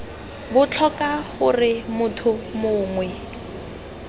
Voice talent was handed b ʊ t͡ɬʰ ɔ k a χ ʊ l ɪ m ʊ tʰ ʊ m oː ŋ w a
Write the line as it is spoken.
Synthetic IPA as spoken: b ʊ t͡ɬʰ ɔ k a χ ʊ r ɪ m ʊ tʰ ʊ m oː ŋ w ɛ